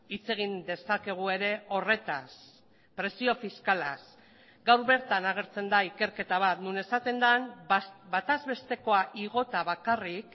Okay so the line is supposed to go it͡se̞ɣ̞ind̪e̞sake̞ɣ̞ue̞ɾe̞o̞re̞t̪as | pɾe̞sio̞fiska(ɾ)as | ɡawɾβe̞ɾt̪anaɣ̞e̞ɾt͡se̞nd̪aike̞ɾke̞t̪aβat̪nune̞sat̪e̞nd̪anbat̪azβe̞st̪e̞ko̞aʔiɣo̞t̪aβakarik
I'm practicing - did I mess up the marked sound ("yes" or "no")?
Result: yes